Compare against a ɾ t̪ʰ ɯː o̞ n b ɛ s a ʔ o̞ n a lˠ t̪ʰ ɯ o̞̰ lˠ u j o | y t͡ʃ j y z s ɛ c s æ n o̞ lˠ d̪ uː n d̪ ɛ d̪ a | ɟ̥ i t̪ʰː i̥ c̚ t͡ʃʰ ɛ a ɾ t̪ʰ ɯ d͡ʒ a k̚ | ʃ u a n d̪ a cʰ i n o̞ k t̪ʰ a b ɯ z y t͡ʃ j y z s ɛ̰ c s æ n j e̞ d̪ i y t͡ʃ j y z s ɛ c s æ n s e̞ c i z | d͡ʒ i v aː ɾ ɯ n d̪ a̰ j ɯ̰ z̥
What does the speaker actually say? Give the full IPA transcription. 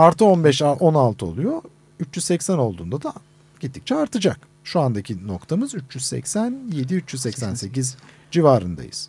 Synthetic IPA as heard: a ɾ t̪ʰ ɯ o̞ n b ɛ ʃ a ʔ o̞ n a lˠ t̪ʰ ɯ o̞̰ lˠ u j o | y t͡ʃ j y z s ɛ c s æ n o̞ lˠ d̪ uː n d̪ a d̪ a | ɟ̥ i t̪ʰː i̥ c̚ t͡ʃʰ ɛ a ɾ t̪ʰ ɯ d͡ʒ a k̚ | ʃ u a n d̪ a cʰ i n o̞ k t̪ʰ a m ɯ z y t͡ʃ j y z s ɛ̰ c s æ n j e̞ d̪ i y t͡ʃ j y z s ɛ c s æ n s e̞ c i z | d͡ʒ i v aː ɾ ɯ n d̪ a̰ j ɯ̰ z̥